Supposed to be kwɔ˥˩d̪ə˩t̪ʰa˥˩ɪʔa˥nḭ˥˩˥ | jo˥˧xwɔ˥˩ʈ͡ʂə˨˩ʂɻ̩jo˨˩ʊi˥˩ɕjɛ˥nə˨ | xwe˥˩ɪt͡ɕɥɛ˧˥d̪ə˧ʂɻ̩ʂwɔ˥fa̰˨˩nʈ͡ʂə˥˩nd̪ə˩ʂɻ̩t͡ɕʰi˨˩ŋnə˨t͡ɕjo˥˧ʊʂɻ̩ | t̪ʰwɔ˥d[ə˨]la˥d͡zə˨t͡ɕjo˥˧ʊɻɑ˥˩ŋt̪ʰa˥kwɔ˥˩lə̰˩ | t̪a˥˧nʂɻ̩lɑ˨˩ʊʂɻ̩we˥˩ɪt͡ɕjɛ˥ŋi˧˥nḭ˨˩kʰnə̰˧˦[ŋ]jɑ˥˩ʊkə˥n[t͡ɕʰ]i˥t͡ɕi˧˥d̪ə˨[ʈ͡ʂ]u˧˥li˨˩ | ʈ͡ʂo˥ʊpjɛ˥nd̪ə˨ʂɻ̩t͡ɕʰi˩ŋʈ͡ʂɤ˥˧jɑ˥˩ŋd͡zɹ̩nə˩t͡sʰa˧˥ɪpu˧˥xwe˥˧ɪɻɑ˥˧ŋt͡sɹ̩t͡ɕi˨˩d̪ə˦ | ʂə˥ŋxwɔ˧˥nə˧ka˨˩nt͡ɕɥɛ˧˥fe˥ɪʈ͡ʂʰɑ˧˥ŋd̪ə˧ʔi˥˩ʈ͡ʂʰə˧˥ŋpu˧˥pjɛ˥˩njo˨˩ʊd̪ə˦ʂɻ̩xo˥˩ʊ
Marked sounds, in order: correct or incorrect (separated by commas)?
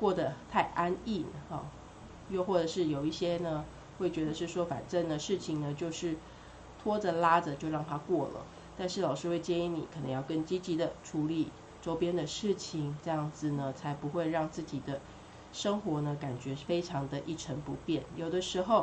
correct, correct, incorrect, incorrect